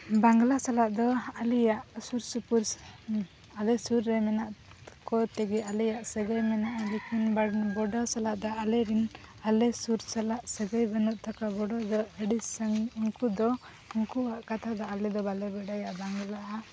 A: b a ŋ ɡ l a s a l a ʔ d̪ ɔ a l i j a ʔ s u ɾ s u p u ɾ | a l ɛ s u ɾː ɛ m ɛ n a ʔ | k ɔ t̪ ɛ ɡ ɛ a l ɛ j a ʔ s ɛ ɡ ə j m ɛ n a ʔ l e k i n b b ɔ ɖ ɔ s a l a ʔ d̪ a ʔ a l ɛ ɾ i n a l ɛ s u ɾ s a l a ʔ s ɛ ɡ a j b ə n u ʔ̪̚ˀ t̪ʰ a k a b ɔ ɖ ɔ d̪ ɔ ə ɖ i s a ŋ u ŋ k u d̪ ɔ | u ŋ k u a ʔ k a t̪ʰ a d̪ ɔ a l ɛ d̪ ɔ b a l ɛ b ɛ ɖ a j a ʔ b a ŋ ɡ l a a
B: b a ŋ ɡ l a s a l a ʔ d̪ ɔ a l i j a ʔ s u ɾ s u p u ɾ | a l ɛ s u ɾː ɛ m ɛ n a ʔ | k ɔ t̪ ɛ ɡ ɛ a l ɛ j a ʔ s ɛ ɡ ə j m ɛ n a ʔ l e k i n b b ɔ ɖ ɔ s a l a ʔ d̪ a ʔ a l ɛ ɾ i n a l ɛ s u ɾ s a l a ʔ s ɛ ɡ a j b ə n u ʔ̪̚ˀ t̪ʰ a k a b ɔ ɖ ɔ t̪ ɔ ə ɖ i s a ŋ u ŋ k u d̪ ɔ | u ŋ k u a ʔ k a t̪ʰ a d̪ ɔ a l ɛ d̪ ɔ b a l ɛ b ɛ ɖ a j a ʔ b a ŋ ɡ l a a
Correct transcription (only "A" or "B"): A